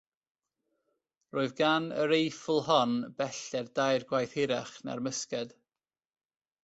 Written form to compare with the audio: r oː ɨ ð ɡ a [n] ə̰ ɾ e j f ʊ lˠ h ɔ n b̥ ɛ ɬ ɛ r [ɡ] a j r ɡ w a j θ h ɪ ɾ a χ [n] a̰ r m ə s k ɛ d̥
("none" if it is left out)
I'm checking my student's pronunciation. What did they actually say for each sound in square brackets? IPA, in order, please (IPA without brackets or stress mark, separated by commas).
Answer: n, d, n